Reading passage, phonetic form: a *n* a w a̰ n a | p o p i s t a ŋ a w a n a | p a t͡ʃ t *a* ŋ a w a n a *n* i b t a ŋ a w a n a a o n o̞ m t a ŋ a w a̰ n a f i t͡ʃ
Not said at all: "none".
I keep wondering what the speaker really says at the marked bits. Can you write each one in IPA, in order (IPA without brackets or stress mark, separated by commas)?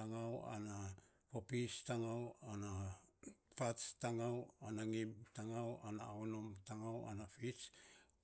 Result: ŋ, a, ŋ